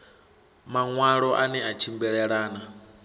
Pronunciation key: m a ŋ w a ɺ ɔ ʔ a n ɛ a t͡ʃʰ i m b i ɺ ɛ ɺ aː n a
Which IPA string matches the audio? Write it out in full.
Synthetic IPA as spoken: m a ŋ w a ɺ ɔ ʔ a n ɛ a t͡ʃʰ i m b ɛ ɺ ɛ ɺ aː n a